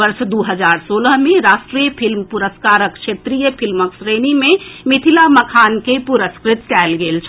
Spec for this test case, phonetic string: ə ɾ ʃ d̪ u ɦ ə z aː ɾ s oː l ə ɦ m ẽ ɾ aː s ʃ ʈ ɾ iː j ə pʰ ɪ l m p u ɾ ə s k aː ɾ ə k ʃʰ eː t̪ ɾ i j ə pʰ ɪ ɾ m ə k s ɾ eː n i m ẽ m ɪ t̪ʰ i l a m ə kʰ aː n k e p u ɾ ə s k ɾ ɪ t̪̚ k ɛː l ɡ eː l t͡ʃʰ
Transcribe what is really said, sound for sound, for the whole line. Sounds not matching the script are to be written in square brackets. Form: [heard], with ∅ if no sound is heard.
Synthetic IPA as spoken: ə ɾ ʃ d̪ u ɦ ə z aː ɾ s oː l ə ɦ m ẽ ɾ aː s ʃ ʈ ɾ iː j ə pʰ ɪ l m p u ɾ ə s k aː ɾ ə k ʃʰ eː t̪ ɾ i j ə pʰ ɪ [l] m ə k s ɾ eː n i m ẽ m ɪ t̪ʰ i l a m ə kʰ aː n k e p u ɾ ə s k ɾ ɪ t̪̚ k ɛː l ɡ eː l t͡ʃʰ